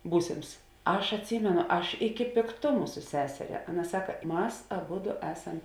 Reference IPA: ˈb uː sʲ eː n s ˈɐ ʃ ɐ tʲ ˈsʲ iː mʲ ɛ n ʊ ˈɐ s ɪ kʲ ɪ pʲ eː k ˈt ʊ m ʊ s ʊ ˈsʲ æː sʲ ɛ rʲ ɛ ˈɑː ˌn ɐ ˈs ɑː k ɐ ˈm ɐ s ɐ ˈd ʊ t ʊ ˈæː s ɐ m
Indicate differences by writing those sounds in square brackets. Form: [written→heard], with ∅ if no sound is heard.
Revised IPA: ˈb uː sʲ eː [n→m] s ˈɐ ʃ ɐ tʲ ˈsʲ iː mʲ ɛ n ʊ ˈɐ [s→ʃ] ɪ kʲ ɪ pʲ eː k ˈt ʊ m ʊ s ʊ ˈsʲ æː sʲ ɛ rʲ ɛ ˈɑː ˌn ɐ ˈs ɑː k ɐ ˈm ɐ s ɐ [ˈd→ˈb] ʊ [t→d] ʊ ˈæː s ɐ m